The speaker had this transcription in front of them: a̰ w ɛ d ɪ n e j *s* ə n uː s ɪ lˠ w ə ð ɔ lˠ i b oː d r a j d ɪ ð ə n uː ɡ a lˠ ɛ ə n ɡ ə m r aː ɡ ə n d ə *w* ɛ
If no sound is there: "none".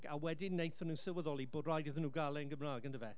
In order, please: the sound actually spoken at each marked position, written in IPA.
θ, v

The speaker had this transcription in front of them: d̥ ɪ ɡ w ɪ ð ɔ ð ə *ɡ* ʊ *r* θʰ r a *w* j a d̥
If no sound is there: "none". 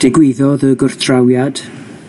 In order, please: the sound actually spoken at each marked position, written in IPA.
ɡ, r, w

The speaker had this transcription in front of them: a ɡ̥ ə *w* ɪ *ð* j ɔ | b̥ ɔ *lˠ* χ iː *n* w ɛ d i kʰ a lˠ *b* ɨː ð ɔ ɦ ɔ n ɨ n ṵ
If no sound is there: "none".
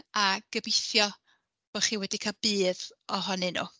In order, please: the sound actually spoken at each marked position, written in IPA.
b, θ, none, none, b

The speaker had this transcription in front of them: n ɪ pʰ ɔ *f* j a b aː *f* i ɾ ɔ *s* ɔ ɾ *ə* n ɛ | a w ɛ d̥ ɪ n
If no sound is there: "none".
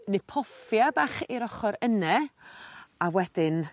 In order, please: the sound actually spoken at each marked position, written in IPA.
f, χ, χ, ə

